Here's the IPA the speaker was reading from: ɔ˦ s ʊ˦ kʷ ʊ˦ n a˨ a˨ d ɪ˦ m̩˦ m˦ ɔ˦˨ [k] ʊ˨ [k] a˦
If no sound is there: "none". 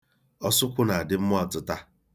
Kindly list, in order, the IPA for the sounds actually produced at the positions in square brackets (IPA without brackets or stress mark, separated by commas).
t, t